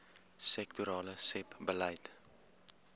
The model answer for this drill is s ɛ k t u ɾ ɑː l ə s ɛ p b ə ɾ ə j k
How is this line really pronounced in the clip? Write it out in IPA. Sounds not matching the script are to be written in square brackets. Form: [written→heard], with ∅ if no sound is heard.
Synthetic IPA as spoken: s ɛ k t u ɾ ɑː l ə s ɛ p b ə [ɾ→l] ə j [k→t]